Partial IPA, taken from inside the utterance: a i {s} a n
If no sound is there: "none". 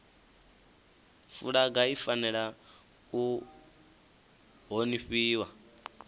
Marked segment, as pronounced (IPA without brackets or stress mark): f